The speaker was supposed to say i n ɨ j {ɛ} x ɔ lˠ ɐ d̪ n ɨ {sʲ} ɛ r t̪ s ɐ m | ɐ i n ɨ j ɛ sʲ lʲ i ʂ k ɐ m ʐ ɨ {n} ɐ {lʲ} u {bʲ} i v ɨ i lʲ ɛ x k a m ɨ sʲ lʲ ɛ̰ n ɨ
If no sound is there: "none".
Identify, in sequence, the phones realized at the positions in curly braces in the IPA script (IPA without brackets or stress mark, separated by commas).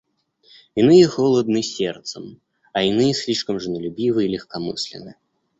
ɛ, sʲ, n, lʲ, bʲ